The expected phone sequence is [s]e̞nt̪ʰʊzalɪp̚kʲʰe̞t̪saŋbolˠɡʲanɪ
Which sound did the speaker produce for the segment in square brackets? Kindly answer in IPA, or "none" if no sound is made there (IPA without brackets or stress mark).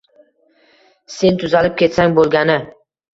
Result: s